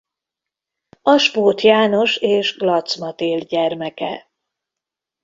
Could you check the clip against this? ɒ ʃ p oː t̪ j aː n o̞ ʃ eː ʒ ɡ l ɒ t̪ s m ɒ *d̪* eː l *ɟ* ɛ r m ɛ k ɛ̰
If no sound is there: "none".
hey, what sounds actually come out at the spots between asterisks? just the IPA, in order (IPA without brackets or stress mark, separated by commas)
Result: t̪, ɟ